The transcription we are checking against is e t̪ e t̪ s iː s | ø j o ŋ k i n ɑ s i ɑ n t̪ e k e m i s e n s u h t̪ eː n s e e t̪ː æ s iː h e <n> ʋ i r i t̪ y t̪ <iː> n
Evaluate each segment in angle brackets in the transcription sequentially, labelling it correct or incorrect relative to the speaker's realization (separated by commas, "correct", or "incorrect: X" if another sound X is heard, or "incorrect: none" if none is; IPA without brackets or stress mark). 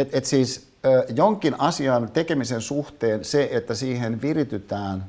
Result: correct, incorrect: æː